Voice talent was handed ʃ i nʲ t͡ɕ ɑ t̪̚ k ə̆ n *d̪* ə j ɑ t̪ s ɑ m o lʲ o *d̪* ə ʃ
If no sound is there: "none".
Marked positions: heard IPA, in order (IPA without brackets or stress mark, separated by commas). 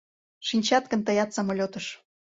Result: t̪, t̪